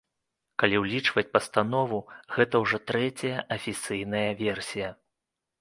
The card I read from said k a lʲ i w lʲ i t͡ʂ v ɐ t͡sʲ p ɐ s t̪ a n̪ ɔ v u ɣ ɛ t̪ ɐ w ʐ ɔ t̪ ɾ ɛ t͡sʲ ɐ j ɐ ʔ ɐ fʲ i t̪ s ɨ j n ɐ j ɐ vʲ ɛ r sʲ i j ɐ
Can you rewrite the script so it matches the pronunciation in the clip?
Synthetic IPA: k a lʲ i w lʲ i t͡ʂ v ɐ t͡sʲ p ɐ s t̪ a n̪ ɔ v u ɣ ɛ t̪ ɐ w ʐ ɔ t̪ ɾ ɛ t͡sʲ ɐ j ɐ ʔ ɐ fʲ i t̪ s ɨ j n ɐ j ɐ vʲ ɛ r sʲ i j ɐ

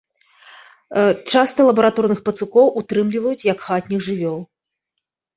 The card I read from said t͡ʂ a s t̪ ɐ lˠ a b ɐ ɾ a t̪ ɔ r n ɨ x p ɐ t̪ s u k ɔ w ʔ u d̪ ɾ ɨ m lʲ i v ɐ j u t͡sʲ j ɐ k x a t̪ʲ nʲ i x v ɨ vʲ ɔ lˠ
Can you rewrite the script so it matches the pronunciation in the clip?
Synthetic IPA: t͡ʂ a s t̪ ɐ lˠ ɐ b ɐ ɾ a t̪ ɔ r n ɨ x p ɐ t̪ s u k ɔ w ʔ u t̪ ɾ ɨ m lʲ i v ɐ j u t͡sʲ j ɐ k x a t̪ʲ nʲ i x ʐ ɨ vʲ ɔ lˠ

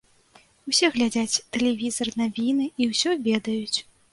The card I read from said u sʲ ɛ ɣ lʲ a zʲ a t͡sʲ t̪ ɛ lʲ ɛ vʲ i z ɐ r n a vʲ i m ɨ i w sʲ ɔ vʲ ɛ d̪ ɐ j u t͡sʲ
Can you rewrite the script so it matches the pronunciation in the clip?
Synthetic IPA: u sʲ ɛ ɣ lʲ a d͡zʲ a t͡sʲ t̪ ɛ lʲ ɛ vʲ i z ɐ r n a vʲ i n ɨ i w sʲ ɔ vʲ ɛ d̪ ɐ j u t͡sʲ

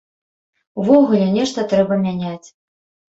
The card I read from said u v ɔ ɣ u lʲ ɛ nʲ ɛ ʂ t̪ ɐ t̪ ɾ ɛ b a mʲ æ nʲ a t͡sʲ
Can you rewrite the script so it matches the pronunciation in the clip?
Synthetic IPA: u v ɔ ɣ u lʲ ɛ nʲ ɛ ʂ t̪ ɐ t̪ ɾ ɛ b ɐ mʲ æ nʲ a t͡sʲ

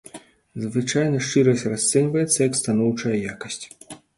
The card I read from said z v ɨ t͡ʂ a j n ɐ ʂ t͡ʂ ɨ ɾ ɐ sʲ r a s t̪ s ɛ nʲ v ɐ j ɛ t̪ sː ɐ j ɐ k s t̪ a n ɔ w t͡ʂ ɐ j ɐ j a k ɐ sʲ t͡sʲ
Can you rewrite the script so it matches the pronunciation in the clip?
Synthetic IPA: z v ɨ t͡ʂ a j n ɐ ʂ t͡ʂ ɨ ɾ ɐ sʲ r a s t̪ s ɛ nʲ v ɐ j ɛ t̪ sː ɐ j ɐ k s t̪ a n ɔ w t͡ʂ ɐ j ɐ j a k ɐ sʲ t͡sʲ

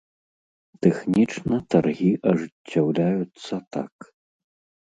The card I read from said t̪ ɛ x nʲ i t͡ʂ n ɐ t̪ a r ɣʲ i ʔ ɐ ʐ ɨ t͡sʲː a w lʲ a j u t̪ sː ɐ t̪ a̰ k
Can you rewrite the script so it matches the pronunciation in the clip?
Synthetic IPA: t̪ ɛ x nʲ i t͡ʂ n ɐ t̪ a r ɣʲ i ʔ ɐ ʐ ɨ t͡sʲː a w lʲ a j u t̪ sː ɐ t̪ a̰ k

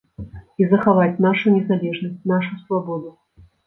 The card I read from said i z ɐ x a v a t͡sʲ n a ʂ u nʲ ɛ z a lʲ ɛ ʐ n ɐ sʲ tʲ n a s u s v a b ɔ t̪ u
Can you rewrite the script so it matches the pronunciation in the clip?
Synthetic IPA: i z ɐ x a v a t͡sʲ n a ʂ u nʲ ɛ z a lʲ ɛ ʐ n ɐ sʲ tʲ n a ʂ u s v a b ɔ d̪ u

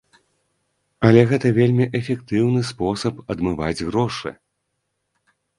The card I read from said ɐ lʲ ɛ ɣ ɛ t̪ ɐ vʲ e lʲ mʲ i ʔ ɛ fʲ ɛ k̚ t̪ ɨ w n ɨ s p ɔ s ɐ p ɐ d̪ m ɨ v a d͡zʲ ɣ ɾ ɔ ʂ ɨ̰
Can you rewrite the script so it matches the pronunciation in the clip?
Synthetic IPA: ɐ lʲ ɛ ɣ ɛ t̪ ɐ vʲ e lʲ mʲ i ʔ ɛ fʲ ɛ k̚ t̪ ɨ w n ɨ s p ɔ s ɐ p ɐ d̪ m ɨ v a d͡zʲ ɣ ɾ ɔ ʂ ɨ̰

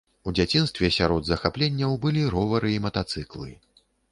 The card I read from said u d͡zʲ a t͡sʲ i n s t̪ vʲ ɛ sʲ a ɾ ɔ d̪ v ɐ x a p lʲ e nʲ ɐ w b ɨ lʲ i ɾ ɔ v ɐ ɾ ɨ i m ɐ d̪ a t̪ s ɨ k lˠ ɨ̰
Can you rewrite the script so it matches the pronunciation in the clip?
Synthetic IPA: u d͡zʲ a t͡sʲ i n s t̪ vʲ ɛ sʲ a ɾ ɔ d̪ z ɐ x a p lʲ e nʲː ɐ w b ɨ lʲ i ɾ ɔ v ɐ ɾ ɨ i m ɐ t̪ a t̪ s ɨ k lˠ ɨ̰

